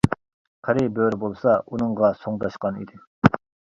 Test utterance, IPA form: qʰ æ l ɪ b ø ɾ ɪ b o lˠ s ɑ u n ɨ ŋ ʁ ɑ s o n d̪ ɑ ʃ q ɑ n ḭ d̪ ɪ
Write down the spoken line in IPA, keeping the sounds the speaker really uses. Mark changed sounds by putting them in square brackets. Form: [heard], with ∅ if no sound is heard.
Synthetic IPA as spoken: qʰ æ [ɾ] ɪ b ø ɾ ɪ b o lˠ s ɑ u n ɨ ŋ ʁ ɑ s o [ŋ] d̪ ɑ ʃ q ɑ n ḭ d̪ ɪ